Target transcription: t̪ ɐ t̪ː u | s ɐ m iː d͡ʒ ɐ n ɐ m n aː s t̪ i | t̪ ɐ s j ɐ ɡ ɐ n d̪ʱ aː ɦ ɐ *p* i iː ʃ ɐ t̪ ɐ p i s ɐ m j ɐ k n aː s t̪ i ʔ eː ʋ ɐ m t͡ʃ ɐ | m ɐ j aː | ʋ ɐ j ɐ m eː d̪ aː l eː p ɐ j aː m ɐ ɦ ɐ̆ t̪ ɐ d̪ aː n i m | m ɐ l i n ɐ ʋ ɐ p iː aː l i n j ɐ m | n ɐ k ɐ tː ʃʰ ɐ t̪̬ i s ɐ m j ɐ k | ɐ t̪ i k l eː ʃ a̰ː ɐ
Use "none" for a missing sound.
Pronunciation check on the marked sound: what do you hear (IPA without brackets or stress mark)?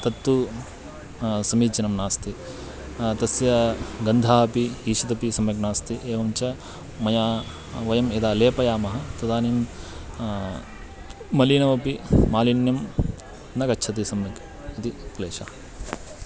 p